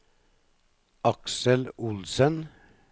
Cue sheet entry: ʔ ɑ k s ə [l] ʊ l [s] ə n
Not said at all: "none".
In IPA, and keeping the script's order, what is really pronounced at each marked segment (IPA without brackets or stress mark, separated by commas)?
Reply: l, s